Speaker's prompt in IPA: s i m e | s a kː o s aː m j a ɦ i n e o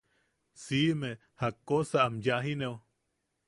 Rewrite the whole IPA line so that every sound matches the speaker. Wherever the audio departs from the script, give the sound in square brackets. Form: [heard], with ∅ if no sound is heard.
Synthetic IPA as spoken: s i m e | [h] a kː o s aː m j a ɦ i n e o